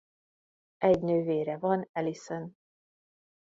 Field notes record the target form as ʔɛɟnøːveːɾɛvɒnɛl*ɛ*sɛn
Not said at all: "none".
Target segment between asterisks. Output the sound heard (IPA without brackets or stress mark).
i